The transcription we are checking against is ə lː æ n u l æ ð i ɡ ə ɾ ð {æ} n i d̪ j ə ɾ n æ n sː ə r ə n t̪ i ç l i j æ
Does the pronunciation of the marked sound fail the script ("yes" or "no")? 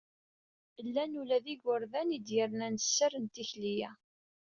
no